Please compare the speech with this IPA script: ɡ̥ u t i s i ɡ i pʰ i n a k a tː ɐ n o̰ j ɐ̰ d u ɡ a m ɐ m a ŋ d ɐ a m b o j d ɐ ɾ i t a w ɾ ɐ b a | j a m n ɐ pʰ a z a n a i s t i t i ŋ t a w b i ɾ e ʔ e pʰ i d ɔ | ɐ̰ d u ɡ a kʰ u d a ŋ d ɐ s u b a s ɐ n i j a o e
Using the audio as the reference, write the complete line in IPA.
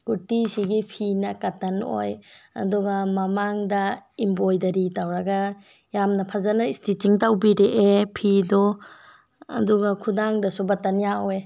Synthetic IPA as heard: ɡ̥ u t i s i ɡ i pʰ i n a k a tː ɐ n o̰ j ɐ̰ d u ɡ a m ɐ m a ŋ d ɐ i m b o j d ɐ ɾ i t a w ɾ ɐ ɡ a | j a m n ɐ pʰ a z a n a i s t i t i ŋ t a w b i ɾ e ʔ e pʰ i d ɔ | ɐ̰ d u ɡ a kʰ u d a ŋ d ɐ s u b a t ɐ n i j a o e